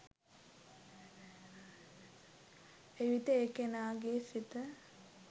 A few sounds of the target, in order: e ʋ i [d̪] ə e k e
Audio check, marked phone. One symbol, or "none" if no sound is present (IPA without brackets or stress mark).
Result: t̪